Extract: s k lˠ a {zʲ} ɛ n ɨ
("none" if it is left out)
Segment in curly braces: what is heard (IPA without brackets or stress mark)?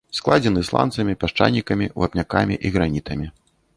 d͡zʲ